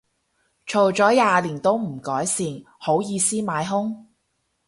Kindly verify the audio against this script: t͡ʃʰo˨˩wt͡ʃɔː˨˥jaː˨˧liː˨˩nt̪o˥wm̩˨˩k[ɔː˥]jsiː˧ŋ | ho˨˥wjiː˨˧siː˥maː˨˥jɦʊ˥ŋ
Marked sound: incorrect: ɔː˨˥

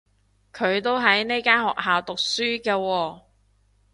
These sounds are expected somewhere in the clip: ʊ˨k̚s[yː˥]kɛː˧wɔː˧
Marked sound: correct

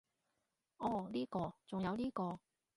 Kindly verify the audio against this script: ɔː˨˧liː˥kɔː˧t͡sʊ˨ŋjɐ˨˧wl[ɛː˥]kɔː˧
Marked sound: incorrect: iː˥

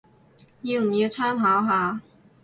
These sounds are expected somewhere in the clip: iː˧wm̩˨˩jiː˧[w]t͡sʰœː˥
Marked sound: correct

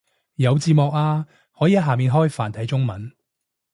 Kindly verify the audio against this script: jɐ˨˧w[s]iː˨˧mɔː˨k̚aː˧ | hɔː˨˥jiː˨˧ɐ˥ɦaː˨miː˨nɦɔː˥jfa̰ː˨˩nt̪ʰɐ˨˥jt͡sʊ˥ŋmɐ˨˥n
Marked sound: incorrect: t͡s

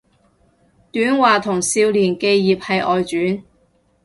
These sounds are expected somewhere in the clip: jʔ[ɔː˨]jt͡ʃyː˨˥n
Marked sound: correct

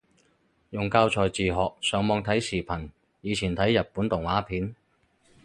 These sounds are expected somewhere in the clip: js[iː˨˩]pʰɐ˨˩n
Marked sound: correct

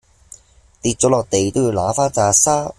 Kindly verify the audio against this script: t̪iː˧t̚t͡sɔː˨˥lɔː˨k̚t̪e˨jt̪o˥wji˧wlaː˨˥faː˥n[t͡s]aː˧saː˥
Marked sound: correct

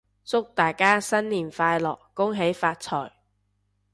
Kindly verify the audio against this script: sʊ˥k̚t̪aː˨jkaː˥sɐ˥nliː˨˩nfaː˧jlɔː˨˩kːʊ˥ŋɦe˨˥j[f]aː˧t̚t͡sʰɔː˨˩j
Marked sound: correct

